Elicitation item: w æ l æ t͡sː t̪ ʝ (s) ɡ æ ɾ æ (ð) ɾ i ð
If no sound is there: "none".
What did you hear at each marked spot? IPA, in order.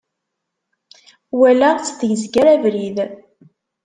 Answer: z, v

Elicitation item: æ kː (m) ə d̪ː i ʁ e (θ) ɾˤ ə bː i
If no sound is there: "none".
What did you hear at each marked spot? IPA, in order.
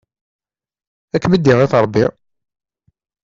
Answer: m, θ

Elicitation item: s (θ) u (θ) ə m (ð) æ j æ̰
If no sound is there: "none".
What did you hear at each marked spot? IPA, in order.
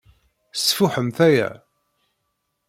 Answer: f, ħ, θ

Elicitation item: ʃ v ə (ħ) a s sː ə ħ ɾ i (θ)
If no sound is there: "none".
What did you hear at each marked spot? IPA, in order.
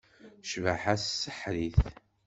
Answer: ħ, θ

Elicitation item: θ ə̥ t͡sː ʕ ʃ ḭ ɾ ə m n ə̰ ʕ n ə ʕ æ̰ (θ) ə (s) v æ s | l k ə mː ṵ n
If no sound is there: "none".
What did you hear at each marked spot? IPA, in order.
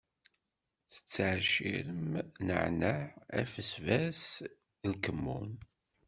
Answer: f, s

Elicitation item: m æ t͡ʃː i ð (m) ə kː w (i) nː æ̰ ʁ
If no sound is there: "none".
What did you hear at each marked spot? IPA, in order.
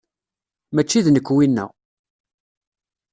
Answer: n, i

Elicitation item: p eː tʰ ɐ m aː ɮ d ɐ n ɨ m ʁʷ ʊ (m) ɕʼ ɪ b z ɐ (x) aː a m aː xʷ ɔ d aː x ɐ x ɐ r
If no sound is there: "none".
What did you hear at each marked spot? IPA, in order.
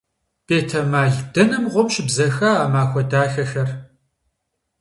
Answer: m, x

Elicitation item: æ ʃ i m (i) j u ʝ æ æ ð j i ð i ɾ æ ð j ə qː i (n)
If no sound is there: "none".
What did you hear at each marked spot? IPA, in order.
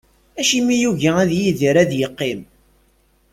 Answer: i, m

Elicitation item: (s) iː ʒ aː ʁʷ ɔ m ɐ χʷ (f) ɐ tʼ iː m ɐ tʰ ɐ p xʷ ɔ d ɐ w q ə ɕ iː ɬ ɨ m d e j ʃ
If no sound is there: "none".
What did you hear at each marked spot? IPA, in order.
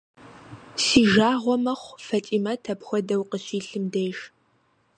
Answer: s, f

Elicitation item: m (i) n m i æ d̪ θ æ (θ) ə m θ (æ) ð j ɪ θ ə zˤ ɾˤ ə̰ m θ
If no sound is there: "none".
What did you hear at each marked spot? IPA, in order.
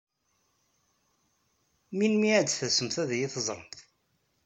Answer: i, s, æ

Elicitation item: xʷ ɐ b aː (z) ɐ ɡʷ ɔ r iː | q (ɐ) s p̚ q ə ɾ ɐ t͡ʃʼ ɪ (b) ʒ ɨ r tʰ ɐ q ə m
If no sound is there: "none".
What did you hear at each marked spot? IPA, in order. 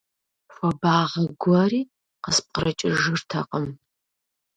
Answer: ʁ, ə, none

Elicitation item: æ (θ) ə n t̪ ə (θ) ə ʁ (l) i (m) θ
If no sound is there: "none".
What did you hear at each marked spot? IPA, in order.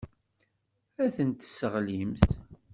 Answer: θ, s, l, m

